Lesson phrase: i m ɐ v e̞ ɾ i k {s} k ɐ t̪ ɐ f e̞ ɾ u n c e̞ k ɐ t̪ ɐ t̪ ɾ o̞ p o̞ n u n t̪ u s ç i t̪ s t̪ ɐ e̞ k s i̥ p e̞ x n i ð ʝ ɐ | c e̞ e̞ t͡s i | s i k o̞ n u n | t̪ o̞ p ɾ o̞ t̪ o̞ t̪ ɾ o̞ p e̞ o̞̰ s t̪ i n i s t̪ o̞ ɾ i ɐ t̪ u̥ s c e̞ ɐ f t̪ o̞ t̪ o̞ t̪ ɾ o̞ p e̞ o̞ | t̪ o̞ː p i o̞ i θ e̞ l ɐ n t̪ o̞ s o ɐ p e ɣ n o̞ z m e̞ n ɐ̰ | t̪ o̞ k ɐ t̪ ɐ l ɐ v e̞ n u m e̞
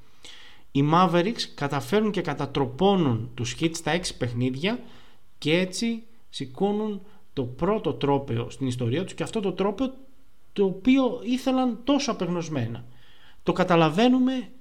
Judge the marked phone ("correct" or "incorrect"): correct